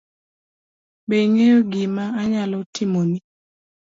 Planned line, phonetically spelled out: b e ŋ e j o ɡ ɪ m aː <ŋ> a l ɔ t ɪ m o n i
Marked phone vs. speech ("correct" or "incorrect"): incorrect